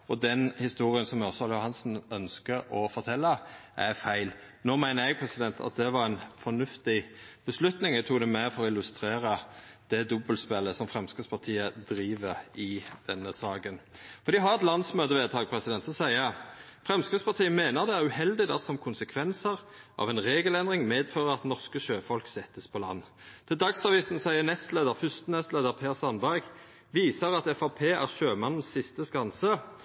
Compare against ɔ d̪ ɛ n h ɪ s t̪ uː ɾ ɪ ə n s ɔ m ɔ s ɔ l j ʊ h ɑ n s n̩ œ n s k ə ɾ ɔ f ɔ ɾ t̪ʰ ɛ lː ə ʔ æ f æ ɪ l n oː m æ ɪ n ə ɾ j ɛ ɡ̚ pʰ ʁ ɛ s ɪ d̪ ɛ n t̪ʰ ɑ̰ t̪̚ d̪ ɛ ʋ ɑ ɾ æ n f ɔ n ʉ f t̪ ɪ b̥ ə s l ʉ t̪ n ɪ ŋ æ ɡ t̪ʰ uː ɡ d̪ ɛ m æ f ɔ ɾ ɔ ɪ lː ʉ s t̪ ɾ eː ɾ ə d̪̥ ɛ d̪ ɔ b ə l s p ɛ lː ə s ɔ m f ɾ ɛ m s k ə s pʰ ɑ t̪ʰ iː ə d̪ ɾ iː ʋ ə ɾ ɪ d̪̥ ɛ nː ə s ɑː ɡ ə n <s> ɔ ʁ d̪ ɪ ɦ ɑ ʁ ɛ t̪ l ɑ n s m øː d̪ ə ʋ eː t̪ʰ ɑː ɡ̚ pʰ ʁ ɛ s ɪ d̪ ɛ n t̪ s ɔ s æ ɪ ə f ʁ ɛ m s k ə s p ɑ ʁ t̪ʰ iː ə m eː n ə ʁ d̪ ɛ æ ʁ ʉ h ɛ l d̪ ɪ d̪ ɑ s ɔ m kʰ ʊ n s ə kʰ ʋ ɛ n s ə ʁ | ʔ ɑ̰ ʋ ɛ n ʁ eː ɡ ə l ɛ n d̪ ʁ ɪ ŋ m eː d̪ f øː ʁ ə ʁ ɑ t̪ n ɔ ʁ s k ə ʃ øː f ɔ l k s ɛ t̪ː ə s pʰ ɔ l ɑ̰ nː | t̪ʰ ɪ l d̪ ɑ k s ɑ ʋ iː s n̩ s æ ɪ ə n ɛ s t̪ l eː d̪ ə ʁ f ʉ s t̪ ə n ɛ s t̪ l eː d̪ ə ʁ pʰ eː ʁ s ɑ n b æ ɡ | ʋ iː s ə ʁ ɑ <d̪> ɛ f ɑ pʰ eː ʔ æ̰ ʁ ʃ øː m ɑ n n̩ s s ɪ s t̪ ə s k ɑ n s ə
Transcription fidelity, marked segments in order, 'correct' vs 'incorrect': incorrect: f, incorrect: t̪

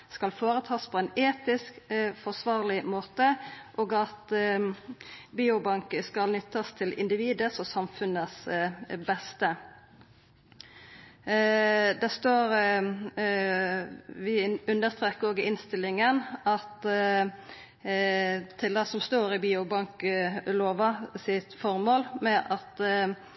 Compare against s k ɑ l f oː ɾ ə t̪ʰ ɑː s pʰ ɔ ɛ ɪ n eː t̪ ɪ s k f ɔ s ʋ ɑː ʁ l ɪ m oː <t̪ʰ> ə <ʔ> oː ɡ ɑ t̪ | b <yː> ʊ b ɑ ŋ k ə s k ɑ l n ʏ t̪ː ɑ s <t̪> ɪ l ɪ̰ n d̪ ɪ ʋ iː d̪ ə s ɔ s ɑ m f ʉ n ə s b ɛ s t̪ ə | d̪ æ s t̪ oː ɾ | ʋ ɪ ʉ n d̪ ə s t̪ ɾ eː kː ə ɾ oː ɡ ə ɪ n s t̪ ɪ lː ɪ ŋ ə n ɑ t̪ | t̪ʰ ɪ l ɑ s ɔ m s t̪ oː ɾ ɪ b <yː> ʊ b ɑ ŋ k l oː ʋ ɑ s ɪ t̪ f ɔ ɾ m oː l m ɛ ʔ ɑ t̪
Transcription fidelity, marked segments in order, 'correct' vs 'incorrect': incorrect: t̪, correct, incorrect: iː, incorrect: t̪ʰ, incorrect: iː

